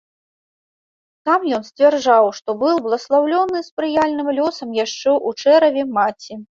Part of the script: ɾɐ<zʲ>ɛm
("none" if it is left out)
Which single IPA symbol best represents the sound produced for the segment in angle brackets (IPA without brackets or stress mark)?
vʲ